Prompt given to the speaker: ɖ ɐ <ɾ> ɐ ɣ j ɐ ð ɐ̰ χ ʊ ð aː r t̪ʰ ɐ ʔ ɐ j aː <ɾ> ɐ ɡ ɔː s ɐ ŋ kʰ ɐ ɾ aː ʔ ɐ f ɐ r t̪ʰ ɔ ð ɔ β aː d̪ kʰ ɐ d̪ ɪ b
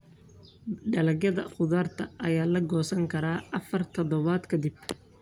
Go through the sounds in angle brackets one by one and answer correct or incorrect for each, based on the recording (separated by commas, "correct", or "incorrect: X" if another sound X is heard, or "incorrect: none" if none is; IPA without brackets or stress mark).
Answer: incorrect: l, incorrect: l